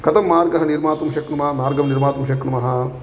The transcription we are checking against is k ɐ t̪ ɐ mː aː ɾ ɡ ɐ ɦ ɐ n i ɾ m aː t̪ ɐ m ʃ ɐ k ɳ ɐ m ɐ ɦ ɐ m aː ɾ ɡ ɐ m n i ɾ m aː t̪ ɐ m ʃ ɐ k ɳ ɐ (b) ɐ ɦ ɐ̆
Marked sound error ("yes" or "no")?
yes